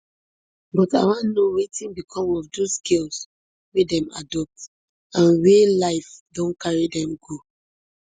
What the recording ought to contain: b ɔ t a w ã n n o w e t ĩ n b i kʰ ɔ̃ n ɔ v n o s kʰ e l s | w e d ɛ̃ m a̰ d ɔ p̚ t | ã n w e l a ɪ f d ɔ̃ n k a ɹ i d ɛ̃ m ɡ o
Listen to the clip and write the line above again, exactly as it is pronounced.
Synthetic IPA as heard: b ɔ t a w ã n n o w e t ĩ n b i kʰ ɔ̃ m ɔ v d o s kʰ e l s | w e d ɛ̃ m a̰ d ɔ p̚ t | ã n w e l a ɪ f d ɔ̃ n k a ɹ i d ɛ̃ m ɡ o